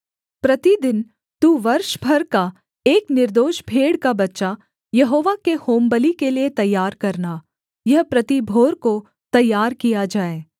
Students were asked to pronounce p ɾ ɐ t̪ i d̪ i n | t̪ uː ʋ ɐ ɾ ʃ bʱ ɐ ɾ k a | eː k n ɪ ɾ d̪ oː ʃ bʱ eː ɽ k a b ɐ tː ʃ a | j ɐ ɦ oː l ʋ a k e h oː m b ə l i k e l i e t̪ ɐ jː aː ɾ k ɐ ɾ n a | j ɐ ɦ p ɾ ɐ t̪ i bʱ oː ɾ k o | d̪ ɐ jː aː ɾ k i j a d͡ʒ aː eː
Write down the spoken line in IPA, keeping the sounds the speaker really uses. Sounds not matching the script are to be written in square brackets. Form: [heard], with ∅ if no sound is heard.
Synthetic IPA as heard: p ɾ ɐ t̪ i d̪ [ɪ] n | t̪ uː ʋ ɐ ɾ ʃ bʱ ɐ ɾ k a | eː k n ɪ ɾ d̪ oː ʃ bʱ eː ɽ k a b ɐ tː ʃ a | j ɐ ɦ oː [∅] ʋ a k e h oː m b ə l i k e l i e t̪ ɐ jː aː ɾ k ɐ ɾ n a | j ɐ ɦ p ɾ ɐ t̪ i bʱ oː ɾ k o | [t̪] ɐ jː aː ɾ k i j a d͡ʒ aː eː

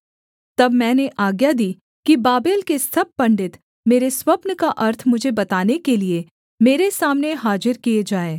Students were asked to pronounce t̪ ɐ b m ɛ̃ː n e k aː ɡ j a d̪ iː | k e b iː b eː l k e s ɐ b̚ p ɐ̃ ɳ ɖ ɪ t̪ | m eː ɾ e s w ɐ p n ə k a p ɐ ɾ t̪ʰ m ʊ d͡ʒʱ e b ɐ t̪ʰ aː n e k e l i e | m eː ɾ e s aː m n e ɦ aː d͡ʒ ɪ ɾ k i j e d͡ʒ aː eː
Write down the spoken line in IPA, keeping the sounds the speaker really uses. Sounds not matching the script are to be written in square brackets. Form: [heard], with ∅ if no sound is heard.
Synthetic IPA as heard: t̪ ɐ b m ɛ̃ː n e [ʔ] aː ɡ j a d̪ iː | k [i] b [aː] b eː l k e s ɐ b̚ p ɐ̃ ɳ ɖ ɪ t̪ | m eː ɾ e s w ɐ p n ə k a [ʔ] ɐ ɾ t̪ʰ m ʊ d͡ʒʱ e b ɐ [t̪] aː n e k e l i e | m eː ɾ e s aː m n e ɦ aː d͡ʒ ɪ ɾ k i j e d͡ʒ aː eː

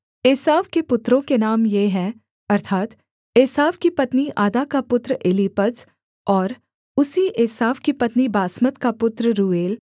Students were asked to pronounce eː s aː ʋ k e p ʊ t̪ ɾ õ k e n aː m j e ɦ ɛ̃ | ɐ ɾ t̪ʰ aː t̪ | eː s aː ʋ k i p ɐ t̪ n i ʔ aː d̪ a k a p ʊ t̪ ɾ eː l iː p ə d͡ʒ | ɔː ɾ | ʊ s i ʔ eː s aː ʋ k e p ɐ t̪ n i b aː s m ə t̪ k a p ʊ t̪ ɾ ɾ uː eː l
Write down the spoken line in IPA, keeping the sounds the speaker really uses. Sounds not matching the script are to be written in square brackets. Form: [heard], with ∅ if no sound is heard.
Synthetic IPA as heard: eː s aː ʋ k e p ʊ t̪ ɾ õ k e n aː m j e ɦ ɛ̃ | ɐ ɾ t̪ʰ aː t̪ | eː s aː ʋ k i p ɐ t̪ n i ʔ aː d̪ a k a p ʊ t̪ ɾ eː l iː p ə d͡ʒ | ɔː ɾ | ʊ s i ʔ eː s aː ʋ k [i] p ɐ t̪ n i b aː s m ə t̪ k a p ʊ t̪ ɾ ɾ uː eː l

